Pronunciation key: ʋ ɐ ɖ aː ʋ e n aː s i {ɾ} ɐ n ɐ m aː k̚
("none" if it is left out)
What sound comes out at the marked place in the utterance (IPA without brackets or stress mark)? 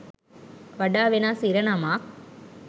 ɾ